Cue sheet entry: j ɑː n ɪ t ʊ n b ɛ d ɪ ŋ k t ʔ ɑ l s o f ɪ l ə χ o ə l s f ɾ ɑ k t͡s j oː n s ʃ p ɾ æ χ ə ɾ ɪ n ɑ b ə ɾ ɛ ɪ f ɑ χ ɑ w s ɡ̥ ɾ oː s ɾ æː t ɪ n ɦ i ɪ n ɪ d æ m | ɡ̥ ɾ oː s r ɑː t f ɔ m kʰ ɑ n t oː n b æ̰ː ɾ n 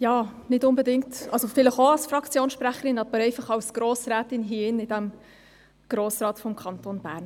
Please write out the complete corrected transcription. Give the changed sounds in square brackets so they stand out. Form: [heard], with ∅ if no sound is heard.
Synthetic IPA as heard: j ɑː n ɪ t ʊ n b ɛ d ɪ ŋ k t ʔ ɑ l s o f ɪ l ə χ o [ɑ] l s f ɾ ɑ k t͡s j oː n s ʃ p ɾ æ χ ə ɾ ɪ n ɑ b ə ɾ ɛ ɪ f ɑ χ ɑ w s ɡ̥ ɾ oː s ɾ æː t ɪ n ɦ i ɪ n ɪ d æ m | ɡ̥ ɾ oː s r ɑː t f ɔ m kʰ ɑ n t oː n b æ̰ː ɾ n

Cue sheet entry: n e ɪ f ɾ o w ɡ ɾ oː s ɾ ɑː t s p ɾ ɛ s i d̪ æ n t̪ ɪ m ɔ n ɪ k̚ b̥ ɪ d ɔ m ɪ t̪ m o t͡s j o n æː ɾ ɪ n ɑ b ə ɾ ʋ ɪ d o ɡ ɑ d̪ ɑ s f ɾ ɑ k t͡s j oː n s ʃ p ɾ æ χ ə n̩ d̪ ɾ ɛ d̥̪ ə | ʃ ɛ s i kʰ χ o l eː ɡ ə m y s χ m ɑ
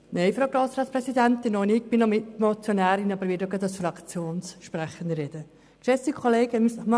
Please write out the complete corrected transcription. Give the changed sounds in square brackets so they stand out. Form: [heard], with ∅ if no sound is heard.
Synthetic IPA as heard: n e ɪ f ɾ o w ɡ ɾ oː s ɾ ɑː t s p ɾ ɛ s i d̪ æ n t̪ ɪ [n] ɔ n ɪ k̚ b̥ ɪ [n] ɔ m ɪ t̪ m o t͡s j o n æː ɾ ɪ n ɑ b ə ɾ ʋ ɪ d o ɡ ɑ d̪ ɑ s f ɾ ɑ k t͡s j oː n s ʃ p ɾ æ χ ə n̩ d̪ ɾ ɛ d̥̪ ə | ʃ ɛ s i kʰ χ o l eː ɡ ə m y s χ m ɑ

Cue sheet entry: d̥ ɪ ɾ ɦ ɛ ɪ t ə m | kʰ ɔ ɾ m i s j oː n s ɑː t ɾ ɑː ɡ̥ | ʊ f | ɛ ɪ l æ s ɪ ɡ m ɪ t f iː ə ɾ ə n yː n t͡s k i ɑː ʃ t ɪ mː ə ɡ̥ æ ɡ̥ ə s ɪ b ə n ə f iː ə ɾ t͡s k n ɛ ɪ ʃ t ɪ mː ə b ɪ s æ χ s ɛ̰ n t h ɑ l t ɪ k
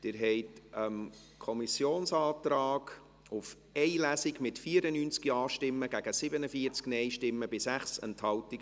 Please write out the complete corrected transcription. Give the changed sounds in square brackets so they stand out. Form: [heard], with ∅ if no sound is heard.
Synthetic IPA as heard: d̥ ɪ ɾ ɦ ɛ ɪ t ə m | kʰ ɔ [∅] m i s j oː n s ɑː t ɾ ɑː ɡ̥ | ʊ f | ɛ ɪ l æ s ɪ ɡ m ɪ t f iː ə ɾ ə n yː n t͡s k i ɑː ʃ t ɪ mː ə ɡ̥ æ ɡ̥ ə s ɪ b ə n ə f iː ə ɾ t͡s k n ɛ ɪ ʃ t ɪ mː ə b ɪ s æ χ s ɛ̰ n t h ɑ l t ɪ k

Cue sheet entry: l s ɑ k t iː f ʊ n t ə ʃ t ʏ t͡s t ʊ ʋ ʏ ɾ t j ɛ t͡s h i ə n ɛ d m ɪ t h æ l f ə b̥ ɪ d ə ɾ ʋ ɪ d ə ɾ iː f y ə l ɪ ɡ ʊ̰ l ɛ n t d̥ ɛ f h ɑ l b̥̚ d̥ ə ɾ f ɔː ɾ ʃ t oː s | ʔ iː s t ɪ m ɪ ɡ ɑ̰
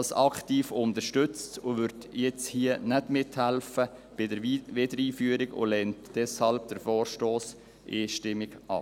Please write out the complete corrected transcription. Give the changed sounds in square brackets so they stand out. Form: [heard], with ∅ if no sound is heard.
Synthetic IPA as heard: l s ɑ k t iː f ʊ n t ə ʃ t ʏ t͡s t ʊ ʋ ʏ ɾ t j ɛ t͡s h i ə n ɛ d m ɪ t h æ l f ə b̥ ɪ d ə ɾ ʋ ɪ d ə ɾ iː f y ə [ɾ] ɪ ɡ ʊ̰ l ɛ n t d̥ ɛ [s] h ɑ l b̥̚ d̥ ə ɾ f ɔː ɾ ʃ t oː s | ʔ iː [ʃ] t ɪ m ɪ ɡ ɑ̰

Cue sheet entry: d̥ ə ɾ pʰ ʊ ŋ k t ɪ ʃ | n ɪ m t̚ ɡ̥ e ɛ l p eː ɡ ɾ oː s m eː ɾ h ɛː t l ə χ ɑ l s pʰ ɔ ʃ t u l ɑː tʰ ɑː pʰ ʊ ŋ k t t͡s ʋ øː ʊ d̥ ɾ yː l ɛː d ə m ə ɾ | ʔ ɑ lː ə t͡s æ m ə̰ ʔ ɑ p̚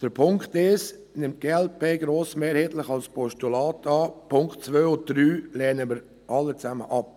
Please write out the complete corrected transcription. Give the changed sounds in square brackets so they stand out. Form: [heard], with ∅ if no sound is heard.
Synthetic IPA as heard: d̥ ə ɾ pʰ ʊ ŋ k t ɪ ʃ | n ɪ m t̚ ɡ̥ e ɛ l p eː ɡ ɾ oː s m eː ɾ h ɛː t l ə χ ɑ l s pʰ ɔ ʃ t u l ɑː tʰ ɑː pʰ ʊ ŋ k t t͡s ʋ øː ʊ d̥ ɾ yː l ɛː [n] ə m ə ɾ | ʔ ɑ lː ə t͡s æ m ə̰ ʔ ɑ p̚

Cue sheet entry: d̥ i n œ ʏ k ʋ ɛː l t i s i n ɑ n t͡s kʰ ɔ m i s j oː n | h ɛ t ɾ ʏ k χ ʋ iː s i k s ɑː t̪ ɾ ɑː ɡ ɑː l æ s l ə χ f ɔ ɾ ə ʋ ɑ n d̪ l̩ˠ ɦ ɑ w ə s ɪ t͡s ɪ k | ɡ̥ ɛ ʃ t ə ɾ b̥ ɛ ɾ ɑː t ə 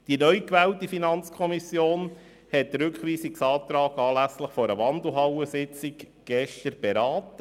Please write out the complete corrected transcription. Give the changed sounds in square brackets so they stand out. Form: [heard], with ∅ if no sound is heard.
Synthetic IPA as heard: d̥ i n œ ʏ k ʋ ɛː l t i [f] i n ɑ n t͡s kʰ ɔ m i s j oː n | h ɛ t ɾ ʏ k χ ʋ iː s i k s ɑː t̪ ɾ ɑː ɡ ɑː l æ s l ə χ f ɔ ɾ ə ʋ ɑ n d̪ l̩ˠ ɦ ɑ w ə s ɪ t͡s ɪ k | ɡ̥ ɛ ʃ t ə ɾ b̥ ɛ ɾ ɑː t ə

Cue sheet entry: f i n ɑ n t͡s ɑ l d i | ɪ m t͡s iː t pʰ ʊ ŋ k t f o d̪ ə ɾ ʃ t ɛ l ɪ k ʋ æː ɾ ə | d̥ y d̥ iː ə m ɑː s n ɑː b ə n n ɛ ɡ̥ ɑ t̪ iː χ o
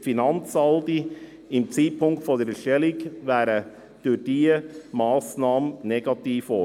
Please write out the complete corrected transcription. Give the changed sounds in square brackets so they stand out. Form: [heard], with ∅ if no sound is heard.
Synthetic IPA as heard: f i n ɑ n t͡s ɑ l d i | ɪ m t͡s iː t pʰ ʊ ŋ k t f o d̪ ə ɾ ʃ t ɛ l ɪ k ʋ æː ɾ ə | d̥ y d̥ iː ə m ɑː s n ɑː [m] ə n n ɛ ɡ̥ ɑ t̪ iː [f] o

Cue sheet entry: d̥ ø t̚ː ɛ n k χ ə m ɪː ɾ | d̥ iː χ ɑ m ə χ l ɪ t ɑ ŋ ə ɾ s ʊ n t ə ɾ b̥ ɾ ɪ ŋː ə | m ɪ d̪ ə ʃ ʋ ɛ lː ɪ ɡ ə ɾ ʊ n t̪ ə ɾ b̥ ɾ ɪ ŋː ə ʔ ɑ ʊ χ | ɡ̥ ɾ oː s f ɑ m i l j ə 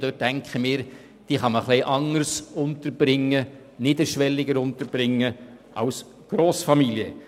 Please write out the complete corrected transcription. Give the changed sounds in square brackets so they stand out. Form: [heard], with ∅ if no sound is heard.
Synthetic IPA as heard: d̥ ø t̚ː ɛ [ŋ] k χ ə m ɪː ɾ | d̥ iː χ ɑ m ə χ l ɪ [ʔ] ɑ ŋ ə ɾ s ʊ n t ə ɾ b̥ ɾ ɪ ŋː ə | [n] ɪ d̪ ə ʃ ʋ ɛ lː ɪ ɡ ə ɾ ʊ n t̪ ə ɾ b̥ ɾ ɪ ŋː ə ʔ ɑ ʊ [s] | ɡ̥ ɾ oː s f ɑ m i l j ə

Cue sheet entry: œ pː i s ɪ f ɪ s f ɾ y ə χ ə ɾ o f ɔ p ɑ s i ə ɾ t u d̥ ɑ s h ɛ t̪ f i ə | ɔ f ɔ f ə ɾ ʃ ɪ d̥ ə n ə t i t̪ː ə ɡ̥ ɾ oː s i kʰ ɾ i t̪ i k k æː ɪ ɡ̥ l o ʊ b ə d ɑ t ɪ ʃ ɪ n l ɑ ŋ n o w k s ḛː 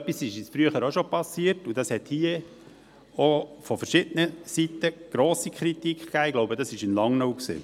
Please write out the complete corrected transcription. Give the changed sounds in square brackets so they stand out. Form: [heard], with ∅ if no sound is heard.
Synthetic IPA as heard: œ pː i s ɪ [ʃ] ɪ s f ɾ y ə χ ə ɾ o [ʃ] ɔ p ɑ s i ə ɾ t u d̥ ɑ s h ɛ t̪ [h] i ə | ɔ f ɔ f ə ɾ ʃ ɪ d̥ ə n ə [s] i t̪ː ə ɡ̥ ɾ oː s i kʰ ɾ i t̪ i k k æː ɪ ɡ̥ l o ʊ b ə d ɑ [s] ɪ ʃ ɪ n l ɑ ŋ n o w k s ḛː

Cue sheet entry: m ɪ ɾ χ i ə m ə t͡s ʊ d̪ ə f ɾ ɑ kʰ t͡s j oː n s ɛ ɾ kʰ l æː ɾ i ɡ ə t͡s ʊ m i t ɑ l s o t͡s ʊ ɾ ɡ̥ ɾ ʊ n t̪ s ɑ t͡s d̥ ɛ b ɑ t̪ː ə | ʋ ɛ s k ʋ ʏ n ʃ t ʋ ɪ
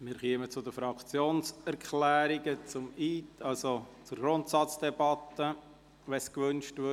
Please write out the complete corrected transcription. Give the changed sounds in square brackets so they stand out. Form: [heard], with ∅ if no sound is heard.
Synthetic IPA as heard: m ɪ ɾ χ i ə m ə t͡s ʊ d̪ ə f ɾ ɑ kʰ t͡s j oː n s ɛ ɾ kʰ l æː ɾ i ɡ ə t͡s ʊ m i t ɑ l s o t͡s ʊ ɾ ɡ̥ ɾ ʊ n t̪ s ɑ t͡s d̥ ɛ b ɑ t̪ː ə | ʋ ɛ s k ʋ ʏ n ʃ t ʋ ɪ

